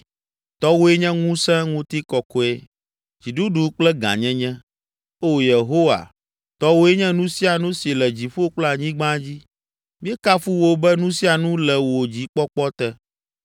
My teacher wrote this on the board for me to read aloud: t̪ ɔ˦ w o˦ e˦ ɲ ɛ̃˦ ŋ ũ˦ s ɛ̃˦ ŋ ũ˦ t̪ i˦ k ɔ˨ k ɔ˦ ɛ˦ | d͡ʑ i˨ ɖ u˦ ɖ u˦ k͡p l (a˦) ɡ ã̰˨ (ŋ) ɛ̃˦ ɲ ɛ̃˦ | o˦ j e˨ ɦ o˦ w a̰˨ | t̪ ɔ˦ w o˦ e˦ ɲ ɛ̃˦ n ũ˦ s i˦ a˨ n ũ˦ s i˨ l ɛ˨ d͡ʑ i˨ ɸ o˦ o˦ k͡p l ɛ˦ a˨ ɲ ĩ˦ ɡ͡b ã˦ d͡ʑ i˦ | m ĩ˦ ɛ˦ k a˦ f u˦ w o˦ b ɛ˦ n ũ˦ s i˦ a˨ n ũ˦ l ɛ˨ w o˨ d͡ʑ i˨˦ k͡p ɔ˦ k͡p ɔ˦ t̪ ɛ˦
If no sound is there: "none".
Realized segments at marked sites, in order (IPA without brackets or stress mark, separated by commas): ɛ˦, ɲ